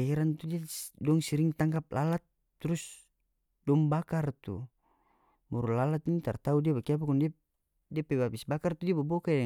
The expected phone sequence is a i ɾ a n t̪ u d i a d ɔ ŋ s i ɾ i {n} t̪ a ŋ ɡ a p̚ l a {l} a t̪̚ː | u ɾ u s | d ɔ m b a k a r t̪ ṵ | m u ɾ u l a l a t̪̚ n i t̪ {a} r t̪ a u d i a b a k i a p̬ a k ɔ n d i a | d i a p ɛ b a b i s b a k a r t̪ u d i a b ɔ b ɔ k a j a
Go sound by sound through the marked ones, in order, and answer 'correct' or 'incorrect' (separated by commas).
incorrect, correct, correct